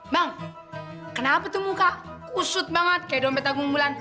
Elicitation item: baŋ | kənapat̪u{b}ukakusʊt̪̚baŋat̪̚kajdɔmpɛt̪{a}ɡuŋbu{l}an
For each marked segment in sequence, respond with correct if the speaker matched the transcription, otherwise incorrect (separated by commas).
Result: incorrect, correct, correct